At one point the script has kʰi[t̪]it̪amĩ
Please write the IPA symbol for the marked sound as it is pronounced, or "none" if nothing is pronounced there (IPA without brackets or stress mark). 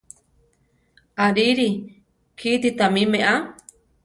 t̪